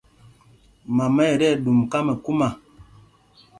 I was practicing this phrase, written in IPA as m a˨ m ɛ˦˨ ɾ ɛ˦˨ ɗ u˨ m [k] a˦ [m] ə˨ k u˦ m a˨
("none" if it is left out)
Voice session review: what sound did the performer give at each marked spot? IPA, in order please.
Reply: k, m

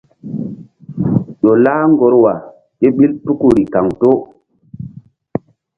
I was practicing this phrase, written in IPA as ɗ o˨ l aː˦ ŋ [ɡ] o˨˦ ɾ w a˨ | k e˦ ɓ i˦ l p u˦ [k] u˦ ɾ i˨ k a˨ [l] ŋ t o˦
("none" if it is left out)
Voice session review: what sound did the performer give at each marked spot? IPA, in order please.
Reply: ɡ, k, none

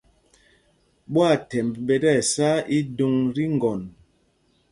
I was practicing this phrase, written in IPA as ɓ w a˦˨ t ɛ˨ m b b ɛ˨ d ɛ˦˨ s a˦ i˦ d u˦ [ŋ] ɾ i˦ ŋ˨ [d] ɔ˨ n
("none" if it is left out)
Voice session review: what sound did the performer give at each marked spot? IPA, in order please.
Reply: ŋ, ɡ

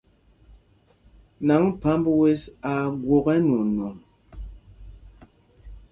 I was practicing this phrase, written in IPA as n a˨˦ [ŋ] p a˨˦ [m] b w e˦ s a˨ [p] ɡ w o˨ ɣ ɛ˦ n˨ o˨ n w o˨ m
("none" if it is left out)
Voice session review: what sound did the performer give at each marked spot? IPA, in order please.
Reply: ŋ, m, none

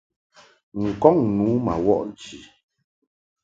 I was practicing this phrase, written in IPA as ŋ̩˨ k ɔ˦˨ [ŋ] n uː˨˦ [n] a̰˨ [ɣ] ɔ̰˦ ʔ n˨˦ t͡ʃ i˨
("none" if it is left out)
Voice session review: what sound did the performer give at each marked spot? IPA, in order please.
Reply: ŋ, m, w

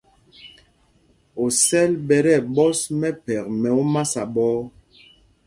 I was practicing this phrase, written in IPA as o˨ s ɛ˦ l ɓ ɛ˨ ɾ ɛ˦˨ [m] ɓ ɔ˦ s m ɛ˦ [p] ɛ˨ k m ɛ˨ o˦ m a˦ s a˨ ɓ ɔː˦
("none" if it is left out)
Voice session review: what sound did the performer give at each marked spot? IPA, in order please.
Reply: none, p

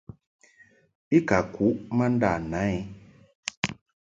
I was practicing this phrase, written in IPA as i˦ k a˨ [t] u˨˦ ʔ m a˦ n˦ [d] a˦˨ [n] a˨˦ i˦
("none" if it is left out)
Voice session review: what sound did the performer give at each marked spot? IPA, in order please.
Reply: k, d, n

